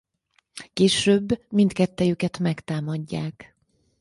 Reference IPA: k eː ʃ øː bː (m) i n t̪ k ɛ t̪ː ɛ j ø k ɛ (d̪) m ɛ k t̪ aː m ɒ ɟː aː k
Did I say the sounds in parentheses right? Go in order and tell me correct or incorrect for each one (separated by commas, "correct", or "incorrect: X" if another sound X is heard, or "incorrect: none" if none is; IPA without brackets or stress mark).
correct, incorrect: t̪